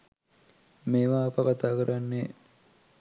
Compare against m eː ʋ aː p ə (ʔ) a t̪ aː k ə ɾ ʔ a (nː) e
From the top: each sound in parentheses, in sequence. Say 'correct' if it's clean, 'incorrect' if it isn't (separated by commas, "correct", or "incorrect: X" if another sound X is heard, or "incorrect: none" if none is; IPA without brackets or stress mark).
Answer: incorrect: k, correct